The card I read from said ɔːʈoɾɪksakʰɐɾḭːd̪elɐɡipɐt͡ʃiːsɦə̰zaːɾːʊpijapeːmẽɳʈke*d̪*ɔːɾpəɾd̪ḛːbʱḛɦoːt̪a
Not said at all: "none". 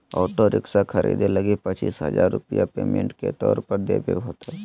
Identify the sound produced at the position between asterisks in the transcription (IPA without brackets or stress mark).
t̪